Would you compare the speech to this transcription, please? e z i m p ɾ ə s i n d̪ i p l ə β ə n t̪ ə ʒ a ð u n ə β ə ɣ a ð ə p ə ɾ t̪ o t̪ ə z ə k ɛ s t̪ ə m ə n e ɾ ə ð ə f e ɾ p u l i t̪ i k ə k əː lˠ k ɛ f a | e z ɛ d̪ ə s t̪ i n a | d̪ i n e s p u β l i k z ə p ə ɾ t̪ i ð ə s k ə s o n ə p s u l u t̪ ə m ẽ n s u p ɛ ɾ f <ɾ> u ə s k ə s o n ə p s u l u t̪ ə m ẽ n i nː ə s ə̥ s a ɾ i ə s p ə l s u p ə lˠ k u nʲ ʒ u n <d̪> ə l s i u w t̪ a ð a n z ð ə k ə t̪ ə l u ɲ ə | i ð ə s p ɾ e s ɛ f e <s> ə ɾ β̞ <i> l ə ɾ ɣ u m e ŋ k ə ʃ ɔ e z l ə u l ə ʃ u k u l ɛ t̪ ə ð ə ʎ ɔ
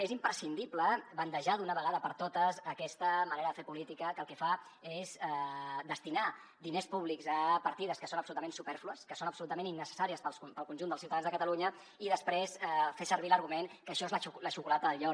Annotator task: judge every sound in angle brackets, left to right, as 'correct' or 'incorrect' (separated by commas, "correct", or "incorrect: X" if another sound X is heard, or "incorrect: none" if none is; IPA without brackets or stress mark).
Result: incorrect: l, correct, correct, correct